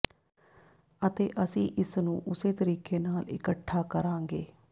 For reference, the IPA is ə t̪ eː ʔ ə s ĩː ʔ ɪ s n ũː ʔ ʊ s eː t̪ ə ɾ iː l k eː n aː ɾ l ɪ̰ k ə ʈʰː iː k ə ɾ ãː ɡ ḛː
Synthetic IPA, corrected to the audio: ə t̪ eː ʔ ə s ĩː ʔ ɪ s n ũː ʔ ʊ s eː t̪ ə ɾ iː k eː n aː l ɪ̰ k ə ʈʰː aː k ə ɾ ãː ɡ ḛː